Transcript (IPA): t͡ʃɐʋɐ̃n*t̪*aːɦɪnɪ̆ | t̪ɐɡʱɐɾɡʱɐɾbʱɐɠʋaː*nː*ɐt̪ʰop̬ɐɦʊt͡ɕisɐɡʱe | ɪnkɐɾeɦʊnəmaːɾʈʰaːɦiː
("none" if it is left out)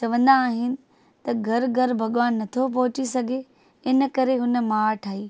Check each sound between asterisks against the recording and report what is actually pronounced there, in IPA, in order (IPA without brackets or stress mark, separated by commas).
d̪, nː